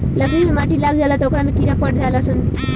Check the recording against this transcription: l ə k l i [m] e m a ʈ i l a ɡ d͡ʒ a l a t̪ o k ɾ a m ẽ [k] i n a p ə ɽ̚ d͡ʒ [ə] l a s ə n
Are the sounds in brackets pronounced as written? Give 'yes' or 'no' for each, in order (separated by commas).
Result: yes, yes, no